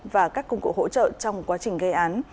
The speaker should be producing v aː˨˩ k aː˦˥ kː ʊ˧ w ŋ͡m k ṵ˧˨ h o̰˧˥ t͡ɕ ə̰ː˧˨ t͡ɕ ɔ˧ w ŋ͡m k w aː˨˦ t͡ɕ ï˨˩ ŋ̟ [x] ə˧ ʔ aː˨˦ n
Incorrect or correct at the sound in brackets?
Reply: incorrect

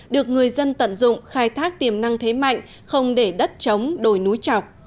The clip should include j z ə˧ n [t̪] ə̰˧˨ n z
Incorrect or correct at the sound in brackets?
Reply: correct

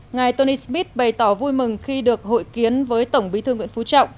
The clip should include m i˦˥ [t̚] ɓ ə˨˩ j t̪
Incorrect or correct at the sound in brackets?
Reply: correct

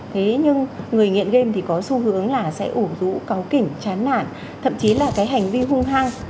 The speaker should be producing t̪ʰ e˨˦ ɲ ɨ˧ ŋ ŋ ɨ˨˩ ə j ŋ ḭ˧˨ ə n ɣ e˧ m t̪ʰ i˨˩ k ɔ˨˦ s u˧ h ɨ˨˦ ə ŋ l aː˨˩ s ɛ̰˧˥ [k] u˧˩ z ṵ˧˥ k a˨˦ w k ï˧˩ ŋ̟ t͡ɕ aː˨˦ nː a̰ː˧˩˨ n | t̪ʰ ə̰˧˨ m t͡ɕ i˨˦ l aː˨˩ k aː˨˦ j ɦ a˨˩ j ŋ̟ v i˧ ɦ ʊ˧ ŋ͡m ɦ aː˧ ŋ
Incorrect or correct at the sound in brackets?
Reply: incorrect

